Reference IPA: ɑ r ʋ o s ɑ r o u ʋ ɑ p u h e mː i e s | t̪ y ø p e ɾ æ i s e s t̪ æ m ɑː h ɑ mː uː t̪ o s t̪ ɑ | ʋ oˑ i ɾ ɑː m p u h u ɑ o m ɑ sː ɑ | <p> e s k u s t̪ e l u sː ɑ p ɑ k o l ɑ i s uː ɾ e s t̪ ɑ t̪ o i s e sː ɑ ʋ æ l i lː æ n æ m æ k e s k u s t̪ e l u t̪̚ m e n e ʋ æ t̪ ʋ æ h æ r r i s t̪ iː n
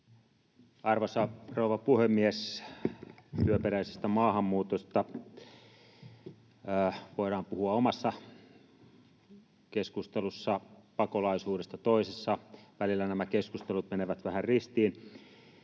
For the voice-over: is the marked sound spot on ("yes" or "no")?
no